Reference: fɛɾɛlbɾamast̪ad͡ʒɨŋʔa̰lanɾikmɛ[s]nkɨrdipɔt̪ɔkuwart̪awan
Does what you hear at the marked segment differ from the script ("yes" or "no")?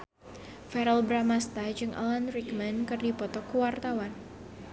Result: yes